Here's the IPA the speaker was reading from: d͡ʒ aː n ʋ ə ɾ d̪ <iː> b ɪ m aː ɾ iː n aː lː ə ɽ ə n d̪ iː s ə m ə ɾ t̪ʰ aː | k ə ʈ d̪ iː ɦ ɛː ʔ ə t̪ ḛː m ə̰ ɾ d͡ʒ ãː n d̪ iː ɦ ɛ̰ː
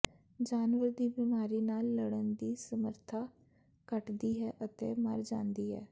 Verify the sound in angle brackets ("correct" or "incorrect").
correct